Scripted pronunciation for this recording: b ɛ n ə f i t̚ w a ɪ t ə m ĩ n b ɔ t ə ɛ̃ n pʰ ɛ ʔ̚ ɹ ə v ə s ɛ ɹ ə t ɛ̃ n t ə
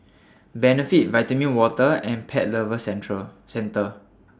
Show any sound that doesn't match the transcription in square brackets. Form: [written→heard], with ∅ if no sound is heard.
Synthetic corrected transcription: b ɛ n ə f i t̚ [w→v] a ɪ t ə m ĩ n [b→w] ɔ t ə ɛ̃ n pʰ ɛ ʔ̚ [ɹ→l] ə v ə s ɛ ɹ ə [t→s] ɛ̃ n t ə